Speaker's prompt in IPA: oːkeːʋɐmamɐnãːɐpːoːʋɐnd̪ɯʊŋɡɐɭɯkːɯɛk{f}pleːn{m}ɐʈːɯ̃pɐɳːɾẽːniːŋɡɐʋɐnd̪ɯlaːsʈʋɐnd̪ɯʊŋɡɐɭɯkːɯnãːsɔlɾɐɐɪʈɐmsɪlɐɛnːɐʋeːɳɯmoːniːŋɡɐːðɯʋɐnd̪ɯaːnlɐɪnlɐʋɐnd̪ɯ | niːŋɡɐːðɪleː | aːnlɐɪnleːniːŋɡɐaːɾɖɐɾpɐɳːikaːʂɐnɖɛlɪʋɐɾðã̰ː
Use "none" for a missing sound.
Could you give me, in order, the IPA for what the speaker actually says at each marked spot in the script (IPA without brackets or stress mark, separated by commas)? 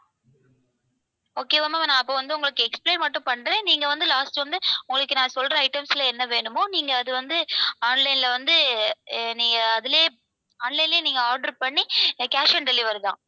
s, m